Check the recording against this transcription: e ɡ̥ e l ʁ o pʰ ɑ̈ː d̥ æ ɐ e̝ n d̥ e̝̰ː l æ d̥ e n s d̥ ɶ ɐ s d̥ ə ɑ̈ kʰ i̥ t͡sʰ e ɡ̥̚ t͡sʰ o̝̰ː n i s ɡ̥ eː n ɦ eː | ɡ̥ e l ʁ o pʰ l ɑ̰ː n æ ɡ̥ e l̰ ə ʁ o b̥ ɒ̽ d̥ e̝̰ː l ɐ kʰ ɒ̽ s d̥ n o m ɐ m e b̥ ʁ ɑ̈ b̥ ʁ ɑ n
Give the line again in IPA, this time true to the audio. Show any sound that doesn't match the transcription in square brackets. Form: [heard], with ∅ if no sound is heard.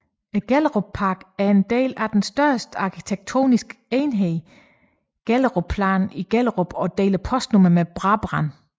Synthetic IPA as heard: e ɡ̥ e l ʁ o pʰ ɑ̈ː [ɡ̥] æ ɐ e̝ n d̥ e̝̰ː l æ d̥ e n s d̥ ɶ ɐ s d̥ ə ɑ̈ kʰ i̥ t͡sʰ e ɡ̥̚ t͡sʰ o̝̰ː n i s ɡ̥ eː n ɦ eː | ɡ̥ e l ʁ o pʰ l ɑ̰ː n [i] ɡ̥ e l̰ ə ʁ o b̥ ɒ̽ d̥ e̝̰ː l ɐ [pʰ] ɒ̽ s d̥ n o m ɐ m e b̥ ʁ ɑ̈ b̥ ʁ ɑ n